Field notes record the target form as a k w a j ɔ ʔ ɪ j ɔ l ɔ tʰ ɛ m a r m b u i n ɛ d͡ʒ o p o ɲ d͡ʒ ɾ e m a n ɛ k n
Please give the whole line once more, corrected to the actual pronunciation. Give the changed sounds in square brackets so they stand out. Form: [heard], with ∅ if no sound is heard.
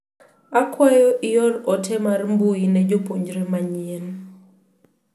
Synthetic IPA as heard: a k w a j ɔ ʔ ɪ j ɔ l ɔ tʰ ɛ m a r m b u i n ɛ d͡ʒ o p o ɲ d͡ʒ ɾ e m a [ɲ] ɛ [∅] n